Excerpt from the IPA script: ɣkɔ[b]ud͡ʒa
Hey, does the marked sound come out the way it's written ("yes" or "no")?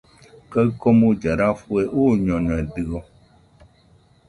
no